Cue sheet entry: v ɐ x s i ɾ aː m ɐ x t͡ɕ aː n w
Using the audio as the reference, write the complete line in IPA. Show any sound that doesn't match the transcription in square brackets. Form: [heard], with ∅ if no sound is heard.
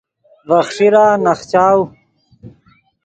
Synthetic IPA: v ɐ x [ʂ] i ɾ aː [n] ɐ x t͡ɕ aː [∅] w